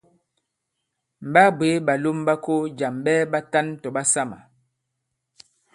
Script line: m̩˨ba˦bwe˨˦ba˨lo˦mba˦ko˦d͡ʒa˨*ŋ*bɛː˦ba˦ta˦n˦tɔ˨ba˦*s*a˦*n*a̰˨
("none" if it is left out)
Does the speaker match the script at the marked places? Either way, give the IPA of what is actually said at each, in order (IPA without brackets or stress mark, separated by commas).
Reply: m, s, m